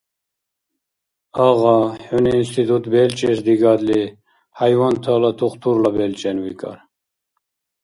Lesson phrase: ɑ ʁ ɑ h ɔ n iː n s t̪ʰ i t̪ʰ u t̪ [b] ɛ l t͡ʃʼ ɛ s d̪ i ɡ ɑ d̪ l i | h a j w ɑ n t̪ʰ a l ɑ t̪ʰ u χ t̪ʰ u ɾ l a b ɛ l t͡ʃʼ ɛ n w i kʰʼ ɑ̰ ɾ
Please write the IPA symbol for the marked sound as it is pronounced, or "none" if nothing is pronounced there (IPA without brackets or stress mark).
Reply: b